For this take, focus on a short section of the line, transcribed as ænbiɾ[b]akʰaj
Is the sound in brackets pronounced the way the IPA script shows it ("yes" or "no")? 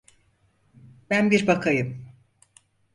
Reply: yes